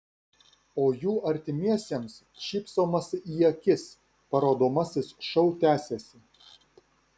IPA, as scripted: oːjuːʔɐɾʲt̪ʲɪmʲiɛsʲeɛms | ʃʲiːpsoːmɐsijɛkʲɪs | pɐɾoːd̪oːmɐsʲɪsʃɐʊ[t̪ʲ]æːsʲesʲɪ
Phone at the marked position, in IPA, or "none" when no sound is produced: t̪ʲ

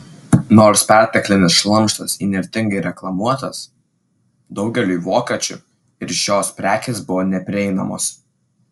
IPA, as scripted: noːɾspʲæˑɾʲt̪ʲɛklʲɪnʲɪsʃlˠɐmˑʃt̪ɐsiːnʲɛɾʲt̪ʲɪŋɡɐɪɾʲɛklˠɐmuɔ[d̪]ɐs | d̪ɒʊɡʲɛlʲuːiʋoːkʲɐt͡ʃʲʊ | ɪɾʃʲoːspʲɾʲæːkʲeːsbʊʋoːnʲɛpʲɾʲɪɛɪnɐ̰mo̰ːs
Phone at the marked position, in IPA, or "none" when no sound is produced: t̪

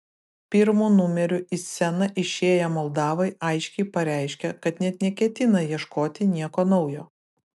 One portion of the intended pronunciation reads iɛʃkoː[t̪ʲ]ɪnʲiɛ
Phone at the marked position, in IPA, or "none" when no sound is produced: t̪ʲ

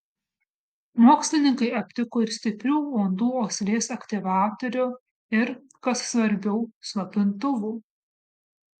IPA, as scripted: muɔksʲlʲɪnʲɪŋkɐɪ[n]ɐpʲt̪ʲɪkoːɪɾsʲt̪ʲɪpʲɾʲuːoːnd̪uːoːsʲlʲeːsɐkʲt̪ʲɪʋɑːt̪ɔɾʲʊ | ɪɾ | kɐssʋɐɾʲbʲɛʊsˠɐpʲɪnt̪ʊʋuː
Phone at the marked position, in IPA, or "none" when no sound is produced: none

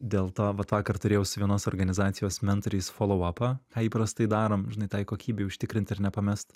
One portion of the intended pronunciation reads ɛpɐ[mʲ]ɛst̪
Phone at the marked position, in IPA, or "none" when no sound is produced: mʲ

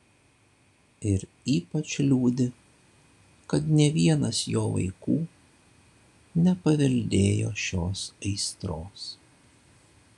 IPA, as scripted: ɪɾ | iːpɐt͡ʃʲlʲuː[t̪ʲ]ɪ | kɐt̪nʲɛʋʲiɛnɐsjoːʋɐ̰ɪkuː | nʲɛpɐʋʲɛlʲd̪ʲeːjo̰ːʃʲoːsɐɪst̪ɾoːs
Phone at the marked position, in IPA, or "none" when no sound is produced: d̪ʲ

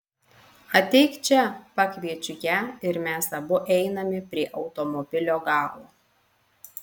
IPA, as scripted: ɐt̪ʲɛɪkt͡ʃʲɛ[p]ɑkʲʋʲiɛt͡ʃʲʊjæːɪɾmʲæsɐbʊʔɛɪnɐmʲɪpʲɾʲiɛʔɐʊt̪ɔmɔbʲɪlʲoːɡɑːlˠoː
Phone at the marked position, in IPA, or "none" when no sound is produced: p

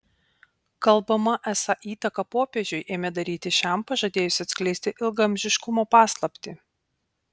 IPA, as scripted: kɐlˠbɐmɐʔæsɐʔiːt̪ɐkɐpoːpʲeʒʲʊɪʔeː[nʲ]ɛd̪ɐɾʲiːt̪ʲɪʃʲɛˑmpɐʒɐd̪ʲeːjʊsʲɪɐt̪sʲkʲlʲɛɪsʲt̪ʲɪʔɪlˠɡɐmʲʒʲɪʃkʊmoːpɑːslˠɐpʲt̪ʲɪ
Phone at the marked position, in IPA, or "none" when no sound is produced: mʲ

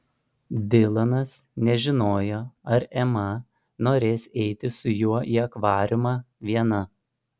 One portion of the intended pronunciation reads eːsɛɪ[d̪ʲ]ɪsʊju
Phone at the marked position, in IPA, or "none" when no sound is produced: t̪ʲ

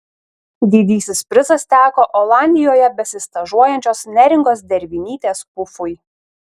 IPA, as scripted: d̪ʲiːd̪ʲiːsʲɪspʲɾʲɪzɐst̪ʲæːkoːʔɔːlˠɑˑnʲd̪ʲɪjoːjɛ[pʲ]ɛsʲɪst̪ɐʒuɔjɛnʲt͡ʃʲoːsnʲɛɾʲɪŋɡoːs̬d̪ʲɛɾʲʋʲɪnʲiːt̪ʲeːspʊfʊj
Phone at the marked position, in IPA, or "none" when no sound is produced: bʲ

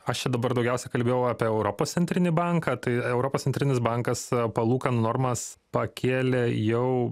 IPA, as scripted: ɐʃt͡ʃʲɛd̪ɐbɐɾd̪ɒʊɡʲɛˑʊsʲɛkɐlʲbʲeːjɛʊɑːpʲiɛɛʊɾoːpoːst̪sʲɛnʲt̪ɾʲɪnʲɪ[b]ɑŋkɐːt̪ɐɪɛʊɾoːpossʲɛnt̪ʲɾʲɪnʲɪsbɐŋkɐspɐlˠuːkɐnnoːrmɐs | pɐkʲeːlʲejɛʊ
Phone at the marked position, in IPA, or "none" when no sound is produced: b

